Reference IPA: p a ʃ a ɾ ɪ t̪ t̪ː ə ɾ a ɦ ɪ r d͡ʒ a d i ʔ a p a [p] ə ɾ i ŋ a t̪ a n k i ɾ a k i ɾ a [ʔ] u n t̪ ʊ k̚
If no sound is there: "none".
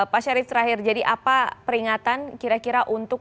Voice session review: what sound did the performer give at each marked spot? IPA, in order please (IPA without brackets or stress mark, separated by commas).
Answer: p, ʔ